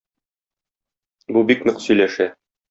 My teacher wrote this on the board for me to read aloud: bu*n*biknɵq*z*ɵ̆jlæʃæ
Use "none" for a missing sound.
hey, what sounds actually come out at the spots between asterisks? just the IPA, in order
none, s

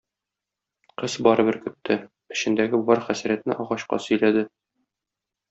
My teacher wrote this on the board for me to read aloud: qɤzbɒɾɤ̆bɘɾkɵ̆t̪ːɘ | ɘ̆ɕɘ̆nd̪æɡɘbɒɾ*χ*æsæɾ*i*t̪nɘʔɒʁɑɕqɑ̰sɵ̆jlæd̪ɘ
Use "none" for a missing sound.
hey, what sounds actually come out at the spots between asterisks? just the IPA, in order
χ, æ

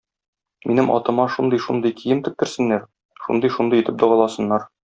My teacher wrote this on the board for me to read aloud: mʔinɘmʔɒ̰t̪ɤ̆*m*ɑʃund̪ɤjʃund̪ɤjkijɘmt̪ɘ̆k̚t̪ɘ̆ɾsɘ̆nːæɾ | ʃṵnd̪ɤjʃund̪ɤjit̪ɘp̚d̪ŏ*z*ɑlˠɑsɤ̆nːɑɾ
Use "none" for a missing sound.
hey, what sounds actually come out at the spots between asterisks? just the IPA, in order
m, ʁ

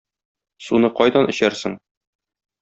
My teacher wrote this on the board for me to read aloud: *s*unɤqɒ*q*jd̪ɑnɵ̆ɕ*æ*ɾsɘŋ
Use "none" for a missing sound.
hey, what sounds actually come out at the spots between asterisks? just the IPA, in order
s, none, æ

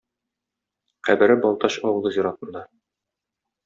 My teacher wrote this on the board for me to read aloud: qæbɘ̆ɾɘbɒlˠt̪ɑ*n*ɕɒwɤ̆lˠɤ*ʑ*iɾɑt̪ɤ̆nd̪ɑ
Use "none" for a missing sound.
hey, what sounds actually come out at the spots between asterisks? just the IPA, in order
none, z

